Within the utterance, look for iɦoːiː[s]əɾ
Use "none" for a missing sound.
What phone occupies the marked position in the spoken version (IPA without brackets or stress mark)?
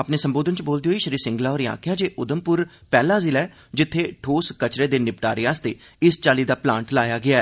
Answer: ʃ